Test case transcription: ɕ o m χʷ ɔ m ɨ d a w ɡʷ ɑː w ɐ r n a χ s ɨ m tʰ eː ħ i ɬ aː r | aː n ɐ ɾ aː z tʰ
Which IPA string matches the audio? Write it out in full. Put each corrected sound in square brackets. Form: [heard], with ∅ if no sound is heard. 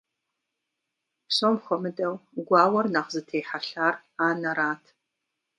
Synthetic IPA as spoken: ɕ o m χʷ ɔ m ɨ d [ɐ] w ɡʷ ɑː w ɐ r n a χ [z] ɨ [∅] tʰ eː ħ [a] ɬ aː r | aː n ɐ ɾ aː [∅] tʰ